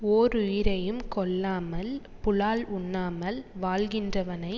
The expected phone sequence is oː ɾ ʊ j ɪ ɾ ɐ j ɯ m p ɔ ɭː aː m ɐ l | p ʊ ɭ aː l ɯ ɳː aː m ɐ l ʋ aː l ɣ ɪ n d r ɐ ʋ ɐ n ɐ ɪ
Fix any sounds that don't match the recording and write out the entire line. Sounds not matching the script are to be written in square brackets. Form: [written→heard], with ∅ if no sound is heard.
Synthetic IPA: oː ɾ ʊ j ɪ ɾ ɐ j ɯ m [p→k] ɔ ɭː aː m ɐ l | p ʊ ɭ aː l [ɯ→ʊ] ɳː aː m ɐ l ʋ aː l ɣ ɪ n d r ɐ ʋ ɐ n ɐ ɪ